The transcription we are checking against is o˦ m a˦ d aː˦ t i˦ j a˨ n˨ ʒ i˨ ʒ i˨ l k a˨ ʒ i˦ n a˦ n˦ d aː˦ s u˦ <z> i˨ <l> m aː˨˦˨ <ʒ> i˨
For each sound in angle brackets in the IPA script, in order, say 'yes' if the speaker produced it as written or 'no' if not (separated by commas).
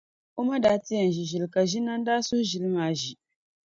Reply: no, yes, yes